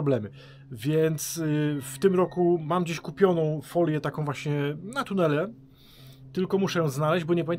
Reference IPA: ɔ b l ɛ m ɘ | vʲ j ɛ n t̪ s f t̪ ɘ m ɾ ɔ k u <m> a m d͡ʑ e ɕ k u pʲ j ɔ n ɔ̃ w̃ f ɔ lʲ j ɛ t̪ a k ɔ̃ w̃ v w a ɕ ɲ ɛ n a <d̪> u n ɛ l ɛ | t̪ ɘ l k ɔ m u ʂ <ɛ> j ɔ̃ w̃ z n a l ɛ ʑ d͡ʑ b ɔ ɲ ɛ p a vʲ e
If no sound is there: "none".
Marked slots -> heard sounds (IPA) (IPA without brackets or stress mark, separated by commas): m, t̪, ɛ